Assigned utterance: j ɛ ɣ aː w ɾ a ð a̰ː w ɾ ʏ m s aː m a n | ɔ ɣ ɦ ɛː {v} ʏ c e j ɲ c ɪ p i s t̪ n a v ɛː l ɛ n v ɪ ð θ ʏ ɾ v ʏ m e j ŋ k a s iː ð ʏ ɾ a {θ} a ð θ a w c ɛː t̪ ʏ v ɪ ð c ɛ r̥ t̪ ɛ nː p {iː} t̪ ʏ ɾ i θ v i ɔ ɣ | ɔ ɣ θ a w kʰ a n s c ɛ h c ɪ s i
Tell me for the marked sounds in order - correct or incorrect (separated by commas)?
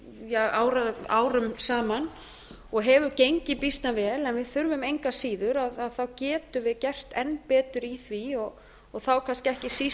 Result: correct, incorrect, incorrect